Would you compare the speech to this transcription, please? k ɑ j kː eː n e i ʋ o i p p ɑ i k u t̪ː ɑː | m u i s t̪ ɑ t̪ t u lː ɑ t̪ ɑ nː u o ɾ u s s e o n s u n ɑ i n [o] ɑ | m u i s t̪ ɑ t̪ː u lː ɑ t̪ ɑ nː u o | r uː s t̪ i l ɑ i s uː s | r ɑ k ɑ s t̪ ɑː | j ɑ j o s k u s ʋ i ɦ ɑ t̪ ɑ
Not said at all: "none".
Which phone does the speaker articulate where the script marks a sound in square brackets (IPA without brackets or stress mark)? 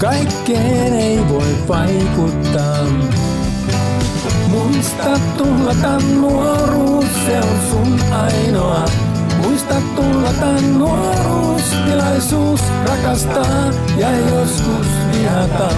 o